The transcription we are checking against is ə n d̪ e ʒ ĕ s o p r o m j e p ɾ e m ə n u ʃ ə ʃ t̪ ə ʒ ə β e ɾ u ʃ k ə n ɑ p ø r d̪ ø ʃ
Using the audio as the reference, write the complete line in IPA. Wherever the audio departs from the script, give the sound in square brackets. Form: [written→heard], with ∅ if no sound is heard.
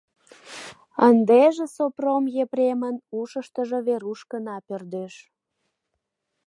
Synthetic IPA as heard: ə n d̪ e ʒ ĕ s o p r o m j e p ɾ e m ə n u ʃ ə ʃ t̪ ə ʒ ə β e ɾ u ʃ k ə n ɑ p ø r d̪ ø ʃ

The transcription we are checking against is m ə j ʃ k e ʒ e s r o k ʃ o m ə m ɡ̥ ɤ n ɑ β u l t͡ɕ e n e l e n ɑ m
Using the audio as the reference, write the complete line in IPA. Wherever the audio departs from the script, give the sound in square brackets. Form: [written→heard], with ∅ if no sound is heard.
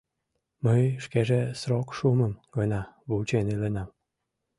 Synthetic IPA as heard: m ə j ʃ k e ʒ e s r o k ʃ [o→u] m ə m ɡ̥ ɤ n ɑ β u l t͡ɕ e n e l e n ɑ m

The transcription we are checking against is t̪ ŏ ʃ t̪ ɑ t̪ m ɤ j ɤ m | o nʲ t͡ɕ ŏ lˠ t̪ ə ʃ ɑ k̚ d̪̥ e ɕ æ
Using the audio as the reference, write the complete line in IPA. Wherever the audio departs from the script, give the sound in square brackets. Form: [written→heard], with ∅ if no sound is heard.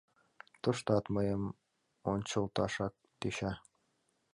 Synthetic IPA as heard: t̪ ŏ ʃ t̪ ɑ t̪ m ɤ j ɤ m | o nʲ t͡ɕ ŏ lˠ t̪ [ə→ɑ] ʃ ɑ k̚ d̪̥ e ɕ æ

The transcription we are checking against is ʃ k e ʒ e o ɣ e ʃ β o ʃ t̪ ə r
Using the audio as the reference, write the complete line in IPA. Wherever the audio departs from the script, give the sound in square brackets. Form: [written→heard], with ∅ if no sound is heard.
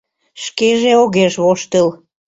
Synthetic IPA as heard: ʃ k e ʒ e o ɣ e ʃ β o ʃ t̪ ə [r→l]

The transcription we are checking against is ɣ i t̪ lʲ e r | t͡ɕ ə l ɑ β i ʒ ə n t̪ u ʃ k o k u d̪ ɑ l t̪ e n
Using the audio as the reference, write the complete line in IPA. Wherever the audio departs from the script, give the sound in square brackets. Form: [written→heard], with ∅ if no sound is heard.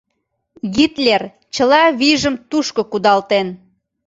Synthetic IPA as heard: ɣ i t̪ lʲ e r | t͡ɕ ə l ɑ β i ʒ ə [n→m] t̪ u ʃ k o k u d̪ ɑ l t̪ e n

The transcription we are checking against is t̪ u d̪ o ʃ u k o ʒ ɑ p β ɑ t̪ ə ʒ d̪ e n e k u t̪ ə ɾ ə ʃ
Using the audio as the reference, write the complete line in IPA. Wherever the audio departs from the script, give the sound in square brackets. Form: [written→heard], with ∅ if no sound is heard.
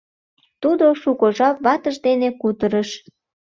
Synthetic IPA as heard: t̪ u d̪ o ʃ u k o ʒ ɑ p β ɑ t̪ ə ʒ d̪ e n e k u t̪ ə ɾ ə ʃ

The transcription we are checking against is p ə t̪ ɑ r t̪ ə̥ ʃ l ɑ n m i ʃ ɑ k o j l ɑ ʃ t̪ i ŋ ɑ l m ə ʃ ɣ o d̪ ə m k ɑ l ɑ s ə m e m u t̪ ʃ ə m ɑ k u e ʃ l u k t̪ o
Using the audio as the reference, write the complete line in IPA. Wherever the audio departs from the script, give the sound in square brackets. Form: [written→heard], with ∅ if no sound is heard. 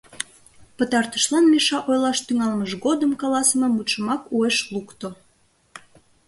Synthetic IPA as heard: p ə t̪ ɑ r t̪ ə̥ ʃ l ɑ n m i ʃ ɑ [k→ʔ] o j l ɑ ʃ t̪ [i→y] ŋ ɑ l m ə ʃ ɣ o d̪ ə m k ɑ l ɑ s ə m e m u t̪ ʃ ə m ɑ k u e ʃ l u k t̪ o

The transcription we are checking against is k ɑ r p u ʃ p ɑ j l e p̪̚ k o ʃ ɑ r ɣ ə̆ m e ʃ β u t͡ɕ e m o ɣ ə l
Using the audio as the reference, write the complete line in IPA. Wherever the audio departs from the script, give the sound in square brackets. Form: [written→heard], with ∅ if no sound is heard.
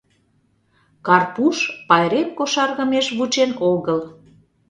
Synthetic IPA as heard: k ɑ r p u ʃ p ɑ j [l→ɾ] e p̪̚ k o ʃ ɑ r ɣ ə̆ m e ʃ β u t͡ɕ e [m→n] o ɣ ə l

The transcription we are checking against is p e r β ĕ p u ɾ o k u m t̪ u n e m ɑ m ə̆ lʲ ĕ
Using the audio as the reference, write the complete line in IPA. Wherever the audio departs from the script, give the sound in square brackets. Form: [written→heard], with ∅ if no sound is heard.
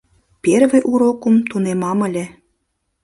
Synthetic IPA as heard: p e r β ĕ [p→ʔ] u ɾ o k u m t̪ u n e m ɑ m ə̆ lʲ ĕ

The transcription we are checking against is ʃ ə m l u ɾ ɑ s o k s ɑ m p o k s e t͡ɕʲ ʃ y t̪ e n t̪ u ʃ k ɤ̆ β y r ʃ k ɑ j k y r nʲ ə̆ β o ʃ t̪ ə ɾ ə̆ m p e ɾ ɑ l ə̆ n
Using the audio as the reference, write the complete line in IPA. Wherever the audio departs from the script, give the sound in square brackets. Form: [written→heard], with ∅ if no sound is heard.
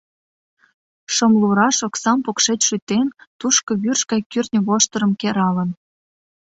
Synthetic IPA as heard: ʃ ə m l u ɾ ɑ [s→ʃ] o k s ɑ m p o k [s→ʃ] e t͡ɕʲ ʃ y t̪ e n t̪ u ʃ k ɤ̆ β y r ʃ k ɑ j k y r nʲ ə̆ β o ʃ t̪ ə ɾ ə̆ m [p→k] e ɾ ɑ l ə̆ n

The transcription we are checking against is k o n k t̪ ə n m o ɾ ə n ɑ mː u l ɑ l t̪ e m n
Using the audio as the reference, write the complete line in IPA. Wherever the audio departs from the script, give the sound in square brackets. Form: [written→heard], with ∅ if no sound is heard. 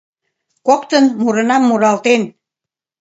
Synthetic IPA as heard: k o [n→∅] k t̪ ə n m [o→u] ɾ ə n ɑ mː u [l→ɾ] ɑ l t̪ e [m→∅] n

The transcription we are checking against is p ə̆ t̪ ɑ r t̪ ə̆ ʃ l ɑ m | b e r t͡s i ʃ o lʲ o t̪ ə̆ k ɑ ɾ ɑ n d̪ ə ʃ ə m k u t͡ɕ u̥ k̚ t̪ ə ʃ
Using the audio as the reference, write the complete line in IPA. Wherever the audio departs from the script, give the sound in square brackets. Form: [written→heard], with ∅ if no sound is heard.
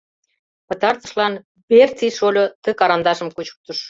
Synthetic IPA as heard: p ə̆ t̪ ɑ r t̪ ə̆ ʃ l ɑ [m→n] | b e r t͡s i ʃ o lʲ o t̪ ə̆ k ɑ ɾ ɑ n d̪ [ə→ɑ] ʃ ə m k u t͡ɕ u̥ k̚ t̪ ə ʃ

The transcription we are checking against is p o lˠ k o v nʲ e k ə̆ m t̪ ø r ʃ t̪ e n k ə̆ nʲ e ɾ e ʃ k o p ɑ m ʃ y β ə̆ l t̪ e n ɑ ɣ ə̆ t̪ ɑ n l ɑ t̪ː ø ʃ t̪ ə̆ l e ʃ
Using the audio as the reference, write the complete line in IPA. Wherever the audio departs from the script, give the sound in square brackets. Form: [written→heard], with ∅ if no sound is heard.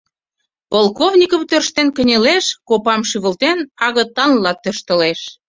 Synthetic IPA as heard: p o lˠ k o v nʲ [e→i] k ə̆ m t̪ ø r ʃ t̪ e n k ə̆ nʲ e [ɾ→l] e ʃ k o p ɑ m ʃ y β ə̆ l t̪ e n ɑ ɣ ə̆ t̪ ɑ n l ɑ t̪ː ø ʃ t̪ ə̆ l e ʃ

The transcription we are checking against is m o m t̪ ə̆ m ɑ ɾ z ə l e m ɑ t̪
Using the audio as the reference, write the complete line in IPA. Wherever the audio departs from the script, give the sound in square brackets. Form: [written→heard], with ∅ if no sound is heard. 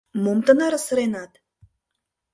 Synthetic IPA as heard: m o m t̪ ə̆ [m→n] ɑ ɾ [z→s] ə [l→ɾ] e [m→n] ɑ t̪

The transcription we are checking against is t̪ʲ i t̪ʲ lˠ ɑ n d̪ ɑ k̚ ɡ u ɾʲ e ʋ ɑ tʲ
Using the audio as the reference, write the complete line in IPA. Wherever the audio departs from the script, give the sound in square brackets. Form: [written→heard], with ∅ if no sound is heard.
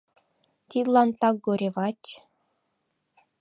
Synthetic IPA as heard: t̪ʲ i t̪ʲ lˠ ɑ n [d̪→t̪] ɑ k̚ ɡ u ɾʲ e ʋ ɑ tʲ

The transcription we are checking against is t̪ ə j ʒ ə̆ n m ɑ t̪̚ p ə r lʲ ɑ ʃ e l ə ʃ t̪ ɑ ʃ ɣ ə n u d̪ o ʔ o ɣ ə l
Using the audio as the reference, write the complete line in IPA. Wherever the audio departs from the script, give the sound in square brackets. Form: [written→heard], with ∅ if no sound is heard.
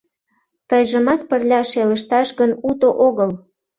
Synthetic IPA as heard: t̪ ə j ʒ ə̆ [n→∅] m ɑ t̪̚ p ə r lʲ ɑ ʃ e l ə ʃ t̪ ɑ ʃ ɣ ə n u [d̪→t̪] o ʔ o ɣ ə l

